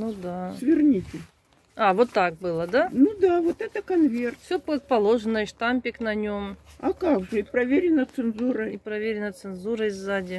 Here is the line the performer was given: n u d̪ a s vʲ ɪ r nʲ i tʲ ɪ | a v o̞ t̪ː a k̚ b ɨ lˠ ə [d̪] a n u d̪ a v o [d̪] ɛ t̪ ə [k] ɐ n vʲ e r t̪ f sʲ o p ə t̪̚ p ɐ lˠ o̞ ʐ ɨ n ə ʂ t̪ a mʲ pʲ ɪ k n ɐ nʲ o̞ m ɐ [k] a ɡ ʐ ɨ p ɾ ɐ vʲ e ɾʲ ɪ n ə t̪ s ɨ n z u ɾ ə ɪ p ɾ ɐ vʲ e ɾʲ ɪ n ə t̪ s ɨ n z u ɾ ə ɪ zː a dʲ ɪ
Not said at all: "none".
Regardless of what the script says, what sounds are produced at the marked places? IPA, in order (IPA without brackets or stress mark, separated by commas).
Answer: d̪, t̪, k, k